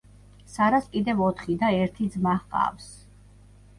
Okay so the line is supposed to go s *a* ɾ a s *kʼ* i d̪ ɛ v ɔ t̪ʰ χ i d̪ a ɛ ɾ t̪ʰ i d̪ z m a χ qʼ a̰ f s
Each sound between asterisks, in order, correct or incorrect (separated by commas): correct, correct